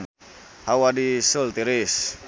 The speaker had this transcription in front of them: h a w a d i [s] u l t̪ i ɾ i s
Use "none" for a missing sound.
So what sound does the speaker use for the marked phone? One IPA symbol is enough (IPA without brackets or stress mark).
s